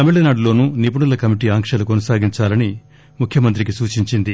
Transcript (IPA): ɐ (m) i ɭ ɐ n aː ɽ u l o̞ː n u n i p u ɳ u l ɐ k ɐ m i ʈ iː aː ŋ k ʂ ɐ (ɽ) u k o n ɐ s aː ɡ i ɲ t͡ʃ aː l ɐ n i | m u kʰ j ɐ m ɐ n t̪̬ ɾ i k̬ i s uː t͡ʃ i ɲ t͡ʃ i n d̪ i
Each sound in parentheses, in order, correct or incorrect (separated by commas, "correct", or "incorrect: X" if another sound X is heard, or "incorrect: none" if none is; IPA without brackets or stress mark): correct, incorrect: l